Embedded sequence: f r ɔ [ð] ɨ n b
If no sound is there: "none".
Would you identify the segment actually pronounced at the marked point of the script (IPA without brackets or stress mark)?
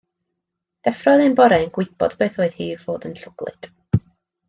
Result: ð